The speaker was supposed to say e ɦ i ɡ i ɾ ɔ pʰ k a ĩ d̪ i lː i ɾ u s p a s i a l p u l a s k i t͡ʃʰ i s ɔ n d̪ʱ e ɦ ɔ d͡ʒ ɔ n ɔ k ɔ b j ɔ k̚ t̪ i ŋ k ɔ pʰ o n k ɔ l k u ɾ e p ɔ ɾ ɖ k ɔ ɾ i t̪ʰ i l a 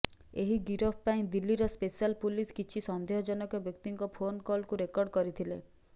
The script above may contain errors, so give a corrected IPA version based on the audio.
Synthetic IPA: e ɦ i ɡ i ɾ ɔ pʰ p a ĩ d̪ i lː i ɾ ɔ s p e s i a l p u l i s k i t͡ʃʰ i s ɔ n d̪ʱ e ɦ ɔ d͡ʒ ɔ n ɔ k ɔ b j ɔ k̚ t̪ i ŋ k ɔ pʰ o n k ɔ l k u ɾ e k ɔ ɾ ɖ k ɔ ɾ i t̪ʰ i l e